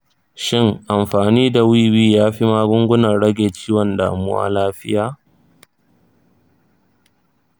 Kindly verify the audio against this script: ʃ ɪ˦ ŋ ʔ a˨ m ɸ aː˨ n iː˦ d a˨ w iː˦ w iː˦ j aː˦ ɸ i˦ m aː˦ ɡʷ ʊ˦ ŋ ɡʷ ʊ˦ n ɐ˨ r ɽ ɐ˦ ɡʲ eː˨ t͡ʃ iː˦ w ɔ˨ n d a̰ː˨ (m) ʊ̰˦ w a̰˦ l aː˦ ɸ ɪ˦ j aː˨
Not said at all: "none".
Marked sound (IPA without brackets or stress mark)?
m